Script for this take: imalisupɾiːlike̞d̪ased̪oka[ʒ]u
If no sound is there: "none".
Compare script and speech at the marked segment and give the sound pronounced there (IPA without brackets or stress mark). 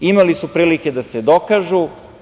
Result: ʒ